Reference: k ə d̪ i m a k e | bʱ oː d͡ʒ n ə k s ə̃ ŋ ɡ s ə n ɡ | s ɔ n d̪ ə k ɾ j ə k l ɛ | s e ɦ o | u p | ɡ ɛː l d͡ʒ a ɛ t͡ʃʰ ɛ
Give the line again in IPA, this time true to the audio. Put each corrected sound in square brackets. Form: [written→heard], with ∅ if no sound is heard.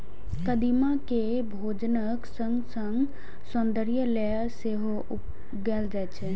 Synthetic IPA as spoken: k ə d̪ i m a k e | bʱ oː d͡ʒ n ə k s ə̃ ŋ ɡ s ə [n→ŋ] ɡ | s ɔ n d̪ ə [k→∅] ɾ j ə [k→∅] l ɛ | s e ɦ o | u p | ɡ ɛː l d͡ʒ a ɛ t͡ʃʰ ɛ